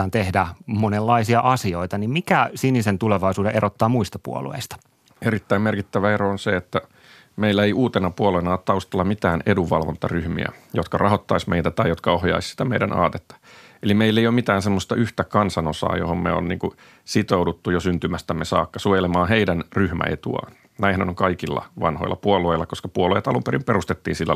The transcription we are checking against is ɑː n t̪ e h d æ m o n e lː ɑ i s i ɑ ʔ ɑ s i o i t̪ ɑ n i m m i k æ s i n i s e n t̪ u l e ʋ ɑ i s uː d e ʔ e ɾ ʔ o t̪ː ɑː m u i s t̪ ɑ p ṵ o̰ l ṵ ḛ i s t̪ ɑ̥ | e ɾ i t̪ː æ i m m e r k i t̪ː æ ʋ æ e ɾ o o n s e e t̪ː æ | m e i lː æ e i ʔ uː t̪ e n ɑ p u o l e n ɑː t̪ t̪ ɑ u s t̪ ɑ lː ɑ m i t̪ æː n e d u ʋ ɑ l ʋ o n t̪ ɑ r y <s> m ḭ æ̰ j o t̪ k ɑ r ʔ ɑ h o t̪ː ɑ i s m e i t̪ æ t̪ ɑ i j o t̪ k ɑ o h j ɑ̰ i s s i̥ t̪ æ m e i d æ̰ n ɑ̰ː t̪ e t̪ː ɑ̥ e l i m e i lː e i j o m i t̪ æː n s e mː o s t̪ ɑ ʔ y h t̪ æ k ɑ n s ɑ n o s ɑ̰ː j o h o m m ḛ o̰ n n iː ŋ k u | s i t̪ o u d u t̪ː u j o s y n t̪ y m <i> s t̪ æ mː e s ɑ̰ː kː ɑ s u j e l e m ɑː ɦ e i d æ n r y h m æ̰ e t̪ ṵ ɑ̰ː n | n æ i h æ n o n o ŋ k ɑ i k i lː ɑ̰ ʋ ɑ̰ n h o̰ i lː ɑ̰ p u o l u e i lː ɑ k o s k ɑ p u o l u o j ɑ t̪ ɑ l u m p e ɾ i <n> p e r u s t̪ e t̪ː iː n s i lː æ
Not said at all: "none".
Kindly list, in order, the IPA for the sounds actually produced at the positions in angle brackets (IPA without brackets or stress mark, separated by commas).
h, æ, m